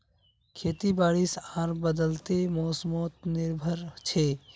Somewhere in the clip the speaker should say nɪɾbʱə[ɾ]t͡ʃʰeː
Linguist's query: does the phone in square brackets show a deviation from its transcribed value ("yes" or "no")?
no